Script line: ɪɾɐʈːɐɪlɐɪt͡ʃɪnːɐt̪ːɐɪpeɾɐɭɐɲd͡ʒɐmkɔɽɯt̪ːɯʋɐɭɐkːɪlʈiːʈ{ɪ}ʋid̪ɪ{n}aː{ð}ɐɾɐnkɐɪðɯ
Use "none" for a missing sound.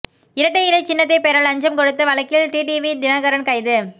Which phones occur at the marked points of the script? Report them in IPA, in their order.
i, n, ɣ

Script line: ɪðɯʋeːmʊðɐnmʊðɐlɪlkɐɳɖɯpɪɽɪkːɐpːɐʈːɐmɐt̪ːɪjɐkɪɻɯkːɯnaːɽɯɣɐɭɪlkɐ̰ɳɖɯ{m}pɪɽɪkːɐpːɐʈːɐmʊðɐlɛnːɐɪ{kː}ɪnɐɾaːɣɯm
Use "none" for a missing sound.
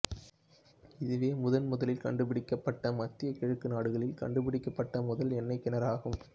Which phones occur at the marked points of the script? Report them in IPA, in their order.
none, kː

